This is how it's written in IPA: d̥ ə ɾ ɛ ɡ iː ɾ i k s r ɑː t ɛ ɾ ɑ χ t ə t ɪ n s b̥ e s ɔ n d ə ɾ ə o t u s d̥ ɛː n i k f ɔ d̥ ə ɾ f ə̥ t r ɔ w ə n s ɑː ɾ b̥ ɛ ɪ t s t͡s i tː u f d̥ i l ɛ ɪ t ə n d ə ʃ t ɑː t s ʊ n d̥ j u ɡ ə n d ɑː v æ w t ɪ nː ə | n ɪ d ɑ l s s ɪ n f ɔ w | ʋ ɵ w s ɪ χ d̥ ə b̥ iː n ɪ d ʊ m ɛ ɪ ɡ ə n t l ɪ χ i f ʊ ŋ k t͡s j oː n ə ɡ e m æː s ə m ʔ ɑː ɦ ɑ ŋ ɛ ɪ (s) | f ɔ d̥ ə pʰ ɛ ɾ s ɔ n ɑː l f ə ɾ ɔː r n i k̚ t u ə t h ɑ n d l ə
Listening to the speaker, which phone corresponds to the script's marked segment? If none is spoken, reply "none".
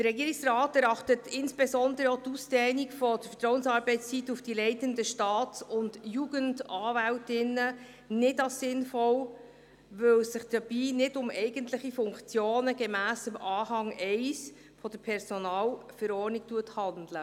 s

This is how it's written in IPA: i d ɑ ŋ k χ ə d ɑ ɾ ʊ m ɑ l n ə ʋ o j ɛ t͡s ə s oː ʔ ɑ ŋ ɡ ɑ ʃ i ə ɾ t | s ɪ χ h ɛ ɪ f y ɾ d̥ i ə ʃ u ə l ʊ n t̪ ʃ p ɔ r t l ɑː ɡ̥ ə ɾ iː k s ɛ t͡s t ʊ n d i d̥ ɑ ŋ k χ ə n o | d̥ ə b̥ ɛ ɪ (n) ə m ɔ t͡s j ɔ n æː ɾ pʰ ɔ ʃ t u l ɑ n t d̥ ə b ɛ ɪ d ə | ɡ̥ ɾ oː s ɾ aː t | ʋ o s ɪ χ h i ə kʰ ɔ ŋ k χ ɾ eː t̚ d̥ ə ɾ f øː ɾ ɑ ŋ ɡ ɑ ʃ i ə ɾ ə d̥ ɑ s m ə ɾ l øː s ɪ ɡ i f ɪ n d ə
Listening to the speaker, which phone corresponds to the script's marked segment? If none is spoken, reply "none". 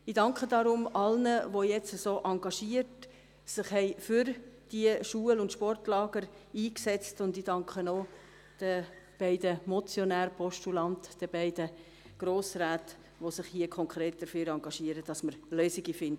d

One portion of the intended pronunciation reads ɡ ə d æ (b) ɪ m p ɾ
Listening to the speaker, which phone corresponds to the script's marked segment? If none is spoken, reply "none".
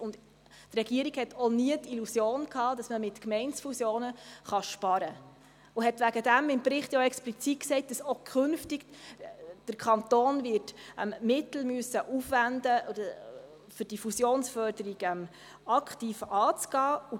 m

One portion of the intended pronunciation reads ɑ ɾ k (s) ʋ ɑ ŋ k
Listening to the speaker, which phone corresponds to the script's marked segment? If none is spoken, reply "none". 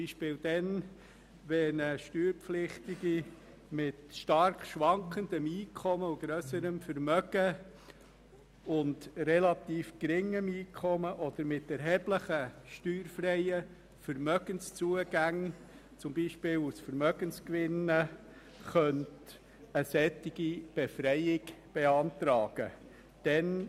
ʃ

